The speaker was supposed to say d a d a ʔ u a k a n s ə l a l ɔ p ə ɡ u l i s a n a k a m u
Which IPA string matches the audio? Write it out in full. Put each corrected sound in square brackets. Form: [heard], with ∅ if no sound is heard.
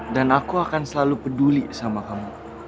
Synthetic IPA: d a [n] a [k] u a k a n s ə l a l [u] p ə [d] u l i s a [m] a k a m u